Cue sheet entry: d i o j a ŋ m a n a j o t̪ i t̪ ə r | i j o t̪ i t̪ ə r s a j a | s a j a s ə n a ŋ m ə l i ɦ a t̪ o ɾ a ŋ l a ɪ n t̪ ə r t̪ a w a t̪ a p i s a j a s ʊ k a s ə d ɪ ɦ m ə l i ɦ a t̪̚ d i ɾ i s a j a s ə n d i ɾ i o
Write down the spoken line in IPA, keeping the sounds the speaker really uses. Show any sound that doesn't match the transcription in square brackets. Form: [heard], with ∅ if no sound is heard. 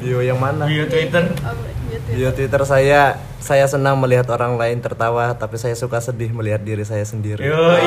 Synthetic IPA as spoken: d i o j a ŋ m a n a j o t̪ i t̪ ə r | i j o t̪ i t̪ ə r s a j a | s a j a s ə n a ŋ m ə l i ɦ a t̪ o ɾ a ŋ l a ɪ n t̪ ə r t̪ a w a t̪ a p i s a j a s [u] k a s ə d ɪ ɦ m ə l i ɦ a t̪̚ d i ɾ i s a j a s ə n d i ɾ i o